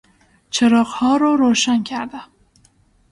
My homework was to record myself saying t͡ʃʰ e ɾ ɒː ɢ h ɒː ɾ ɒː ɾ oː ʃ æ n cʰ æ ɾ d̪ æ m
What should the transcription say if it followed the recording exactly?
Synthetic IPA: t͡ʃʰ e ɾ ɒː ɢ h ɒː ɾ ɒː ɾ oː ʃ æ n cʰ æ ɾ d̪ æ m